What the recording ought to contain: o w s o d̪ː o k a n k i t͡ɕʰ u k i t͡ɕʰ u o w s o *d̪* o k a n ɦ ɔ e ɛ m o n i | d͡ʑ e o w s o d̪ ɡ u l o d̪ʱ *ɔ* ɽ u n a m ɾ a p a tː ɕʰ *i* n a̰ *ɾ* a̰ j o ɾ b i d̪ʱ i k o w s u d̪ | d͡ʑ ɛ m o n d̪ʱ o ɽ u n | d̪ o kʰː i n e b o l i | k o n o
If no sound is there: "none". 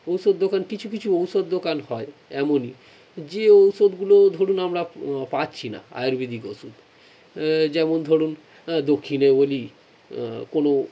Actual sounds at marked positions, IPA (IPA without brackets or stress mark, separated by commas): d̪ː, o, i, none